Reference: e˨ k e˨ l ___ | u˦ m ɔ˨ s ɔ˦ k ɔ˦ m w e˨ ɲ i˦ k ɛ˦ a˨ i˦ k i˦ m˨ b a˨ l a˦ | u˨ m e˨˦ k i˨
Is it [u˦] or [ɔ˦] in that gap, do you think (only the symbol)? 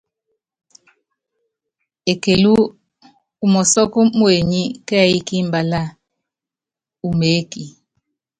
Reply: u˦